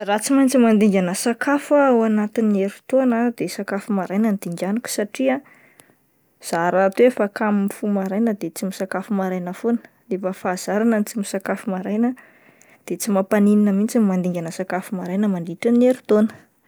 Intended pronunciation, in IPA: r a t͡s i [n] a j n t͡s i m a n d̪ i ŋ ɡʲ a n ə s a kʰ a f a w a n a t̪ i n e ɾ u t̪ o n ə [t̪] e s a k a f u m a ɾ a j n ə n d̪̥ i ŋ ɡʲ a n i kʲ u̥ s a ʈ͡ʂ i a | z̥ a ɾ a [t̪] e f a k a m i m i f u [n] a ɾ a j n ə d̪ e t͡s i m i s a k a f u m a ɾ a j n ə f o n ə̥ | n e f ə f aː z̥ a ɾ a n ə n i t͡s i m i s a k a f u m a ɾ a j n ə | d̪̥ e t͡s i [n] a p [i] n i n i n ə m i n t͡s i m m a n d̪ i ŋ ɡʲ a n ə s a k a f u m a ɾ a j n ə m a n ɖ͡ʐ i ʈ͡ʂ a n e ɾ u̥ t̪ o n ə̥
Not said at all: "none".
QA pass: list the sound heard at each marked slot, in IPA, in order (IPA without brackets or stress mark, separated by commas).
m, d̪, t̪, m, m, a